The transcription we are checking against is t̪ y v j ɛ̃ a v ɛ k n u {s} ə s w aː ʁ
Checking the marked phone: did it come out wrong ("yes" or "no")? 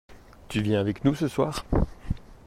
no